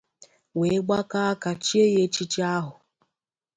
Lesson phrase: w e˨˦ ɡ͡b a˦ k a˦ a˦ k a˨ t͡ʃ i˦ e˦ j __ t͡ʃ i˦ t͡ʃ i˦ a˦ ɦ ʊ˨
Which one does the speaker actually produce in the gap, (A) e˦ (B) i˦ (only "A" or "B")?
A